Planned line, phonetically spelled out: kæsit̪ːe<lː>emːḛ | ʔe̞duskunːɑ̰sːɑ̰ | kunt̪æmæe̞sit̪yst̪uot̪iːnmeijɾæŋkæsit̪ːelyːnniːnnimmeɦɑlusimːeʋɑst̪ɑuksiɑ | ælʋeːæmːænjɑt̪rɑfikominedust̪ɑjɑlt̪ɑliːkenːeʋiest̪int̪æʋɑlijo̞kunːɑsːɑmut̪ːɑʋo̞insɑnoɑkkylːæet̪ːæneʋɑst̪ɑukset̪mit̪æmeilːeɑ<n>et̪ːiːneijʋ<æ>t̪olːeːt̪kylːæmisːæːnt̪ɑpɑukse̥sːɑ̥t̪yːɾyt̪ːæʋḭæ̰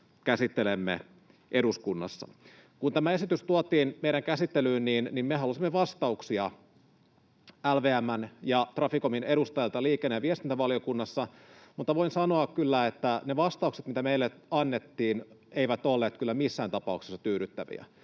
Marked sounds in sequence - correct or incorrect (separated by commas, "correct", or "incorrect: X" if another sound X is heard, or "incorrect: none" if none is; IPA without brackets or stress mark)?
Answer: incorrect: l, incorrect: nː, correct